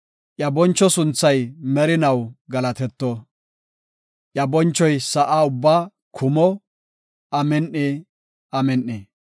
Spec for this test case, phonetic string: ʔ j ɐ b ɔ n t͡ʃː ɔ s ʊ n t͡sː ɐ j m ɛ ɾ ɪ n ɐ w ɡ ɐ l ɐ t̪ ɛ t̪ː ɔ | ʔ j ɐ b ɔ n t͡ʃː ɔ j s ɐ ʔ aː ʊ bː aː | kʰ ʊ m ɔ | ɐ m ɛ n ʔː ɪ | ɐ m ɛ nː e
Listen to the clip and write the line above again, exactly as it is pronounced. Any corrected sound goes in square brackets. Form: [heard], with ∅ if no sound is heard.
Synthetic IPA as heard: ʔ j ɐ b ɔ n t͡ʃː ɔ s ʊ n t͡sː ɐ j m ɛ ɾ ɪ n ɐ w ɡ ɐ l ɐ t̪ ɛ t̪ː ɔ | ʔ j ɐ b ɔ n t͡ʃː ɔ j s ɐ ʔ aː ʊ bː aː | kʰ ʊ m ɔ | ɐ m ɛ n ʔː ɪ | ɐ m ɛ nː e